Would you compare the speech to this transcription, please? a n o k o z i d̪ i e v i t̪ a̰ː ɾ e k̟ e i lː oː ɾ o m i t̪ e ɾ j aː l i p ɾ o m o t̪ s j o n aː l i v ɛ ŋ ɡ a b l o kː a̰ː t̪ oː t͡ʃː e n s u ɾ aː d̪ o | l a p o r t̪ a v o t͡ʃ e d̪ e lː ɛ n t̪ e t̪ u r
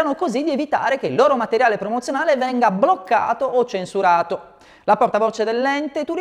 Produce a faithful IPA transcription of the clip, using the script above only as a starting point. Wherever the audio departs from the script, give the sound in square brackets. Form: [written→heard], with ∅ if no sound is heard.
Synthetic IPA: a n o k o z i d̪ i e v i t̪ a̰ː ɾ e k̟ e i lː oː ɾ o m [i→a] t̪ e ɾ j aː l [i→e] p ɾ o m o t̪ s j o n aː l [i→e] v ɛ ŋ ɡ a b l o kː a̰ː t̪ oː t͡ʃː e n s u ɾ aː [d̪→t̪] o | l a p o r t̪ a v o t͡ʃ e d̪ e lː ɛ n t̪ e t̪ u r